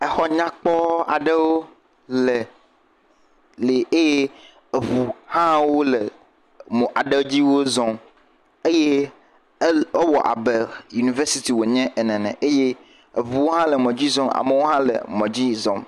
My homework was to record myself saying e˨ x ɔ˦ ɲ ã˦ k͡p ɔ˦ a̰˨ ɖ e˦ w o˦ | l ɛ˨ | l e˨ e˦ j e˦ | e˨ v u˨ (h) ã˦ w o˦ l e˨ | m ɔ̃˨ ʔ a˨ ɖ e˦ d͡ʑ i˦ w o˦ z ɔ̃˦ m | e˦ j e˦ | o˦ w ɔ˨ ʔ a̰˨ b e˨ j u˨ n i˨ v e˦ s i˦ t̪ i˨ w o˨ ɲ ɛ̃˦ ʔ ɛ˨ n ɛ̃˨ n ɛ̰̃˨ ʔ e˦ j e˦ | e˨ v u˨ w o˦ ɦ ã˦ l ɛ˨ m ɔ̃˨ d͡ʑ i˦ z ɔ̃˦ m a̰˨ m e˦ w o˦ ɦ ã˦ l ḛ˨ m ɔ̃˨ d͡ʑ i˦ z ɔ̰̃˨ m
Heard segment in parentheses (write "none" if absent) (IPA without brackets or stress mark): h